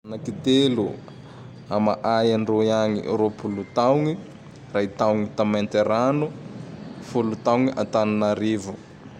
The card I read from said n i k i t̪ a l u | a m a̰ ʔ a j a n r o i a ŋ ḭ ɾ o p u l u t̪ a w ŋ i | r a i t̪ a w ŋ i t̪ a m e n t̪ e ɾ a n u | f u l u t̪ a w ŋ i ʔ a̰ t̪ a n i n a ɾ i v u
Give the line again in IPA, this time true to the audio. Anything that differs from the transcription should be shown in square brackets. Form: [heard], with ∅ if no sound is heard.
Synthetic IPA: n [a] k i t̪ [e] l u | a m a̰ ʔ a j a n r o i a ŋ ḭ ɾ o p u l u t̪ a w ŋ i | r a i t̪ a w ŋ i t̪ a m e n t̪ e ɾ a n u | f u l u t̪ a w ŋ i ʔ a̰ t̪ a n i n a ɾ i v u